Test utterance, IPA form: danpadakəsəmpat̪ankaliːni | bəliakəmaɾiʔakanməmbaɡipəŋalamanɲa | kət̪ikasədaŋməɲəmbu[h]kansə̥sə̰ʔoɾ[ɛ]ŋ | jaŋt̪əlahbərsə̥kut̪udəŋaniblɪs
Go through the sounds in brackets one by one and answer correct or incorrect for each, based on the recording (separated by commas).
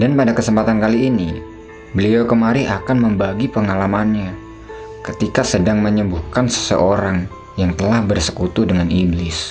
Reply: correct, incorrect